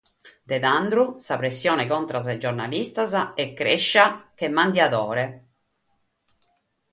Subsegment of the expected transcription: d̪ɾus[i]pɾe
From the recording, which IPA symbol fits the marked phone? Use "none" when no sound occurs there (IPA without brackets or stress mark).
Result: a